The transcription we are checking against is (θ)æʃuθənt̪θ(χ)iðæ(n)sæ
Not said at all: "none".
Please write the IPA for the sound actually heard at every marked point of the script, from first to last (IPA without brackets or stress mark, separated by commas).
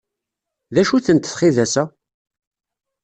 ð, χ, none